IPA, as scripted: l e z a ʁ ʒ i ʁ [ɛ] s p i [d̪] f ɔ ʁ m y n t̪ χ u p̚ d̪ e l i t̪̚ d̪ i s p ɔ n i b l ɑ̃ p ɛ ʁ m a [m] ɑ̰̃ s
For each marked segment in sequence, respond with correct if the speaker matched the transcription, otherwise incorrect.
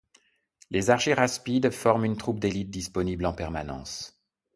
incorrect: a, correct, incorrect: n

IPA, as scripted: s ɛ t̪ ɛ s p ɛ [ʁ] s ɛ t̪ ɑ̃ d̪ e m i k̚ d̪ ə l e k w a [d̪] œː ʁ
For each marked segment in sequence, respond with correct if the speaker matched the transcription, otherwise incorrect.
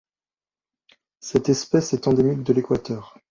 incorrect: none, incorrect: t̪

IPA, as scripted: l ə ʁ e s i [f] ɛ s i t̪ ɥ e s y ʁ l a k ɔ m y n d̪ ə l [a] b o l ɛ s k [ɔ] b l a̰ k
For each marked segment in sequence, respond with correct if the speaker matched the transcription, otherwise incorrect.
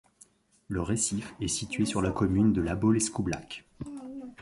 correct, correct, incorrect: u

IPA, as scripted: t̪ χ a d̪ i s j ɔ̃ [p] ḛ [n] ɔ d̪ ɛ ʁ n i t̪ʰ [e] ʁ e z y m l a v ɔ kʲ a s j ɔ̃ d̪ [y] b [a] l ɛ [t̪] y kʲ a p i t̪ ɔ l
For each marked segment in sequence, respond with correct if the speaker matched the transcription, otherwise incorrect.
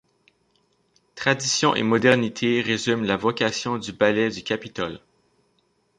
incorrect: ʔ, incorrect: m, correct, correct, correct, incorrect: d̪

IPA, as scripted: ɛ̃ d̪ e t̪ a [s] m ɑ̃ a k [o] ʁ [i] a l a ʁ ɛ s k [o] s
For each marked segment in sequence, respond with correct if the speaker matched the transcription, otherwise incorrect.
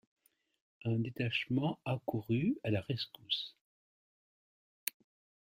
incorrect: ʃ, incorrect: u, incorrect: y, incorrect: u

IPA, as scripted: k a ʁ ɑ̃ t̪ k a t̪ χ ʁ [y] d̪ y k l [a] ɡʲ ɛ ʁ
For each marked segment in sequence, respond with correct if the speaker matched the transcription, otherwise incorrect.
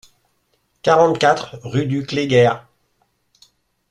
correct, incorrect: e

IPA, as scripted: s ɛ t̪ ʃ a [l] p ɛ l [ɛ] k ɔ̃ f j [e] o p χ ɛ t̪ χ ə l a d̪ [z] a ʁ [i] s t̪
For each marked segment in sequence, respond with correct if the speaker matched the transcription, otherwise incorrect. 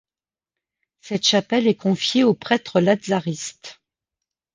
incorrect: none, correct, correct, correct, correct

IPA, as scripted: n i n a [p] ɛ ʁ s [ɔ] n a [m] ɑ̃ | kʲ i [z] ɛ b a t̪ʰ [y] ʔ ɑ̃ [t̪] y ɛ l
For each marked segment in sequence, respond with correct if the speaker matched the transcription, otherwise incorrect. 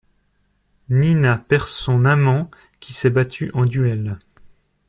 correct, incorrect: ɔ̃, correct, incorrect: s, correct, incorrect: d̪

